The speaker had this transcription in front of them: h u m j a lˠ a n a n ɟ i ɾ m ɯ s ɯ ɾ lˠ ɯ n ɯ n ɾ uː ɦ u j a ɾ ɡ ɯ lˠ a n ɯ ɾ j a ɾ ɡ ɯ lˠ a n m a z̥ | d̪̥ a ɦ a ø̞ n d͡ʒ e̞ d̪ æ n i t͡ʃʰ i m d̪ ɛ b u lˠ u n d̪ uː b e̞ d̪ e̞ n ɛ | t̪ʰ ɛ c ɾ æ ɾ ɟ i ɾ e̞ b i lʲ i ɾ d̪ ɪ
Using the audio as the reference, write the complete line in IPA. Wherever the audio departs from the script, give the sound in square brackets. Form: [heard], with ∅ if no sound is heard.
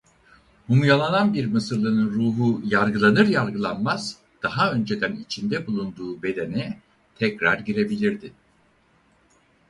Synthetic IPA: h u m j a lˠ a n a n [b] i ɾ m ɯ s ɯ ɾ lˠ ɯ n ɯ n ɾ uː ɦ u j a ɾ ɡ ɯ lˠ a n ɯ ɾ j a ɾ ɡ ɯ lˠ a n m a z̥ | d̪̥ a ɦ a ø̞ n d͡ʒ e̞ d̪ æ n i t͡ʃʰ i [n] d̪ ɛ b u lˠ u n d̪ uː b e̞ d̪ e̞ n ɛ | t̪ʰ ɛ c ɾ [a] ɾ ɟ i ɾ e̞ b i lʲ i ɾ d̪ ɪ

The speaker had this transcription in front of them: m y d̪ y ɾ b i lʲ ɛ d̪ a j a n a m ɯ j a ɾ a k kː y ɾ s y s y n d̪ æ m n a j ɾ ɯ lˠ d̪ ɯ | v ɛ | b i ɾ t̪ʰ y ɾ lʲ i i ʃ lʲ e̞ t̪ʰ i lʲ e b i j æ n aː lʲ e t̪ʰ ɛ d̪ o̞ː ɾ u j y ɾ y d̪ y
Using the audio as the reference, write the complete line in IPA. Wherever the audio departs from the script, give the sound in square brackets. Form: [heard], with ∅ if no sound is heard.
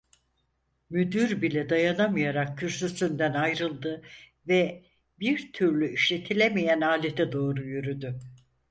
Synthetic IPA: m y d̪ y ɾ b i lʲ ɛ d̪ a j a n a m ɯ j a ɾ a k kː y ɾ s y s y n d̪ æ [∅] n a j ɾ ɯ lˠ d̪ ɯ | v ɛ | b i ɾ t̪ʰ y ɾ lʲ [y] i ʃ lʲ e̞ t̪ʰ i lʲ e [m] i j æ n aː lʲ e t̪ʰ ɛ d̪ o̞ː ɾ u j y ɾ y d̪ y

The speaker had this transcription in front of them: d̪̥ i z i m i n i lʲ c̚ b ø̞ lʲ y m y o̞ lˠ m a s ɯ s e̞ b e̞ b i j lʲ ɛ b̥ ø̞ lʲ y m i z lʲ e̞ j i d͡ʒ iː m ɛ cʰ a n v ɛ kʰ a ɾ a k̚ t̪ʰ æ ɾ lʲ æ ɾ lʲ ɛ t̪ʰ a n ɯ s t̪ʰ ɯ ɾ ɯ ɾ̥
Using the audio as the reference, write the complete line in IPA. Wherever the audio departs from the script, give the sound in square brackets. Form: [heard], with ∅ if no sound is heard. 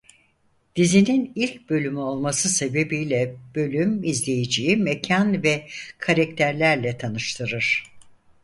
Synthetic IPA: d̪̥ i z i [n] i n i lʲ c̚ b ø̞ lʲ y m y o̞ lˠ m a s ɯ s e̞ b e̞ b i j lʲ ɛ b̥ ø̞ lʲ y m i z lʲ e̞ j i d͡ʒ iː m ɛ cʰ a n v ɛ kʰ a ɾ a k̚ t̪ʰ æ ɾ lʲ æ ɾ lʲ ɛ t̪ʰ a n ɯ [ʃ] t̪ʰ ɯ ɾ ɯ ɾ̥

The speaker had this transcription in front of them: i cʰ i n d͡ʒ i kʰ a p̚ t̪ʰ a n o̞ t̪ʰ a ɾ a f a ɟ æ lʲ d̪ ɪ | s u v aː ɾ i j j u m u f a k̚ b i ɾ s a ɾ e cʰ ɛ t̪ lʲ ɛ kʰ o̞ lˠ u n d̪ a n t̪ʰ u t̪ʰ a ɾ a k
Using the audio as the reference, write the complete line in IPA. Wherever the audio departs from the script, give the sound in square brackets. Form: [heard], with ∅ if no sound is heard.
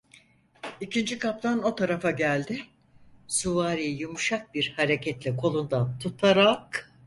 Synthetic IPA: i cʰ i n d͡ʒ i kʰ a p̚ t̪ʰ a n o̞ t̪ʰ a ɾ a f a ɟ æ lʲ d̪ ɪ | s u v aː ɾ i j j u m u [ʃ] a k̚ b i ɾ [h] a ɾ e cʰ ɛ t̪ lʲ ɛ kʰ o̞ lˠ u n d̪ a n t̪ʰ u t̪ʰ a ɾ a k

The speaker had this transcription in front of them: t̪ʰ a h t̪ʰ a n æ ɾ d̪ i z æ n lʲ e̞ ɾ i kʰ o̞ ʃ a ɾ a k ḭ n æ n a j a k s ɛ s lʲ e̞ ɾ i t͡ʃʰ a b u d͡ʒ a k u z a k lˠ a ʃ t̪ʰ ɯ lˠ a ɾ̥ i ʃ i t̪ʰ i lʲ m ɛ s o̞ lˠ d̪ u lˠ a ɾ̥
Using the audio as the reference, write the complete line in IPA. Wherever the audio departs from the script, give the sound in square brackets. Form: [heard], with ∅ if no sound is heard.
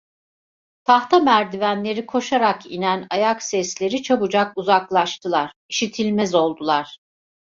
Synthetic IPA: t̪ʰ a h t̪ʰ a [m] æ ɾ d̪ i [v] æ n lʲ e̞ ɾ i kʰ o̞ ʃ a ɾ a k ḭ n æ n a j a k s ɛ s lʲ e̞ ɾ i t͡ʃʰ a b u d͡ʒ a k u z a k lˠ a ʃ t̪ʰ ɯ lˠ a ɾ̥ i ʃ i t̪ʰ i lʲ m ɛ [z] o̞ lˠ d̪ u lˠ a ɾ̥

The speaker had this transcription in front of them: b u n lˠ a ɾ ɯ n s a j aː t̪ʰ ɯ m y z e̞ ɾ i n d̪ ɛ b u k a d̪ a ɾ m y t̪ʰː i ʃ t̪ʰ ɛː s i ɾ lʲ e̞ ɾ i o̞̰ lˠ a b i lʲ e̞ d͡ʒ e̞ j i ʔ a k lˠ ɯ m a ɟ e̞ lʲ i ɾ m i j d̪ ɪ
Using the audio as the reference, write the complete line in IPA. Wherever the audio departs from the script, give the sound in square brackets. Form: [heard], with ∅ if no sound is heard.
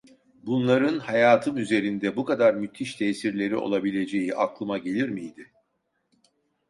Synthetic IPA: b u n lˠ a ɾ ɯ n [h] a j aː t̪ʰ ɯ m y z e̞ ɾ i n d̪ ɛ b u k a d̪ a ɾ m y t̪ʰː i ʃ t̪ʰ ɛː s i ɾ lʲ e̞ ɾ i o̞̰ lˠ a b i lʲ e̞ d͡ʒ e̞ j i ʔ a k lˠ ɯ m a ɟ e̞ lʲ i ɾ m i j d̪ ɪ

